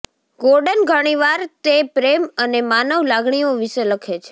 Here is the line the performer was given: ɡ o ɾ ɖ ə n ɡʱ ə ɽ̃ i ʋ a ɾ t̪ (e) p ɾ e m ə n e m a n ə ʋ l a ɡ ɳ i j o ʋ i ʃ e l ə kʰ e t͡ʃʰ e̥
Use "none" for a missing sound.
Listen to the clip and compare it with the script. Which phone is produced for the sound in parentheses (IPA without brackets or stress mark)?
e